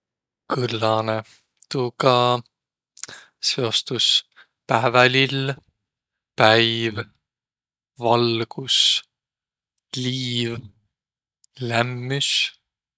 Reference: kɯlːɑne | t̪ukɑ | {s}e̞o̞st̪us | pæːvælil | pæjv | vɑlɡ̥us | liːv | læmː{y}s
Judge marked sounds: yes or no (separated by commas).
yes, yes